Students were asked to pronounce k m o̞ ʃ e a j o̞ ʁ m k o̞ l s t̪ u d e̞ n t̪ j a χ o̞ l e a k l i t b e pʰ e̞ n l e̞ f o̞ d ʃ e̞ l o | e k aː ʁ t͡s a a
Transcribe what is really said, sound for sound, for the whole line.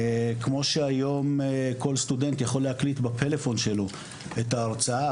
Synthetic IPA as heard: k m o̞ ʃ e a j o̞ m k o̞ l s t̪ u d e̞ n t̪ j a χ o̞ l e a k l i t b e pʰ e̞ l e̞ f o̞ n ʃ e̞ l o | e t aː ʁ t͡s a a